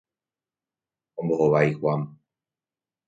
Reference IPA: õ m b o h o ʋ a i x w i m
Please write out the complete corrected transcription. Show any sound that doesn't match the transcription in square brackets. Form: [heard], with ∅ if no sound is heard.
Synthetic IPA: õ m b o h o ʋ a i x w [a] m

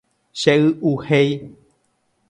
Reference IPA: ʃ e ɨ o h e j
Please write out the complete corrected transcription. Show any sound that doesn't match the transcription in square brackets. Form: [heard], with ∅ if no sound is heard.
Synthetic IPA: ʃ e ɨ [u] h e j

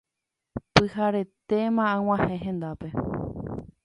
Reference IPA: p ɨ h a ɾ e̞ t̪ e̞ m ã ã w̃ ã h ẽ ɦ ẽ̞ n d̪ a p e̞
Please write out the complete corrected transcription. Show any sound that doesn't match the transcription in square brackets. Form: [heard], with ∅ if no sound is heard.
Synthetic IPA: p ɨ h a ɾ e̞ t̪ e̞ m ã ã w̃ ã h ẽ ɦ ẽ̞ n d̪ a p e̞

